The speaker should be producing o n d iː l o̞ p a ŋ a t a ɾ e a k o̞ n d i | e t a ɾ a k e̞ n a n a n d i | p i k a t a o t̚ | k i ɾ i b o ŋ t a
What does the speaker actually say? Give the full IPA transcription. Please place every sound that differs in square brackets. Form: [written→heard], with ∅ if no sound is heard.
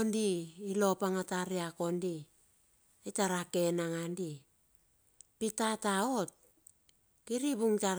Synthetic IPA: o n d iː l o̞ p a ŋ a t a ɾ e a k o̞ n d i | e t a ɾ a k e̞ n a [n→ŋ] a n d i | p i [k→t] a t a o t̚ | k i ɾ i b [o→u] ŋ t a